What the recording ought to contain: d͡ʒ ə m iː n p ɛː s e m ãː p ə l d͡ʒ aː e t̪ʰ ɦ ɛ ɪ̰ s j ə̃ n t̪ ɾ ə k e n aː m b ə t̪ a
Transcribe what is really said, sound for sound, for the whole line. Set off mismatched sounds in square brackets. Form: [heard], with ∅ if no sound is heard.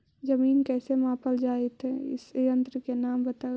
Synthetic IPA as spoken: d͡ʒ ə m iː n [k] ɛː s e m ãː p ə l d͡ʒ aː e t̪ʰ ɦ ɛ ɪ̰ s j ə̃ n t̪ ɾ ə k e n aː m b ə t̪ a